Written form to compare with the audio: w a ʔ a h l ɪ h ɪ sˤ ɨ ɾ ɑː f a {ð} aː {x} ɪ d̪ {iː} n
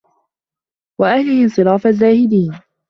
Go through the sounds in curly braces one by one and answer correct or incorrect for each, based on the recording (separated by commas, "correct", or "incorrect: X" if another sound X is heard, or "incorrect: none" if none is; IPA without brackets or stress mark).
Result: incorrect: z, incorrect: h, correct